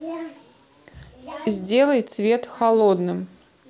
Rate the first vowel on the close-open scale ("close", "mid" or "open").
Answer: mid